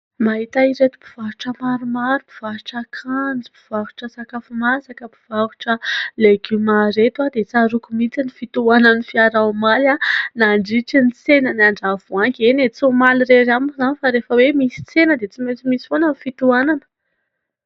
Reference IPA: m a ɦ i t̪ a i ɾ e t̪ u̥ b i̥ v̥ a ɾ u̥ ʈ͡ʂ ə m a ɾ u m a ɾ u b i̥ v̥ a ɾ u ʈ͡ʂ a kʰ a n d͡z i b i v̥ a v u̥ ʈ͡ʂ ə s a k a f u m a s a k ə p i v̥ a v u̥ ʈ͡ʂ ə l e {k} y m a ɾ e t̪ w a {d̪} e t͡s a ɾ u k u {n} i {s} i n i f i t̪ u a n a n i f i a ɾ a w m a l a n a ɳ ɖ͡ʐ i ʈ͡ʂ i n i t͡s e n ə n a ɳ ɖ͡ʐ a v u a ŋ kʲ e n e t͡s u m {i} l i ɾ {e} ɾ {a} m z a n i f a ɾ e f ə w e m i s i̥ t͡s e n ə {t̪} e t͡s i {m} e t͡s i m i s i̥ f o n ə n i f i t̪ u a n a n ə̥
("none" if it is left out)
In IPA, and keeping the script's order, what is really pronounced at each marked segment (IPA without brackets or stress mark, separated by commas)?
ɡ, d̪, m, t͡s, a, e, a, d̪, m